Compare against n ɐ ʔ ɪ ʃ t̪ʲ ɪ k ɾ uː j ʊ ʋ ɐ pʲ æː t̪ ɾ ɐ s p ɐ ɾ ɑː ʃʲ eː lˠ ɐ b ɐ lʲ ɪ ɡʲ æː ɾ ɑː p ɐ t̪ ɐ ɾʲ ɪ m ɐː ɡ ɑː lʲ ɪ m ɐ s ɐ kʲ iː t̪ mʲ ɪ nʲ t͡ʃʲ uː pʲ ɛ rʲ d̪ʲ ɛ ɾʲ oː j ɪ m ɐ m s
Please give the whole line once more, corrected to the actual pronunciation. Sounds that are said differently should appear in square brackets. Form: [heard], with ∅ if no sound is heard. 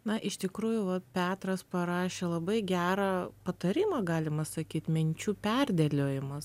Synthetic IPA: n ɐ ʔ ɪ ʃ t̪ʲ ɪ k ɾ uː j ʊ ʋ ɐ pʲ æː t̪ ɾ ɐ s p ɐ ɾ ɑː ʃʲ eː lˠ ɐ b ɐ [∅] ɪ ɡʲ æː ɾ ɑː p ɐ t̪ ɐ ɾʲ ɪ m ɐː ɡ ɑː lʲ ɪ m ɐ s ɐ kʲ iː t̪ mʲ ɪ nʲ t͡ʃʲ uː pʲ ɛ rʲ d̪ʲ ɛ [lʲ] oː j ɪ m ɐ [∅] s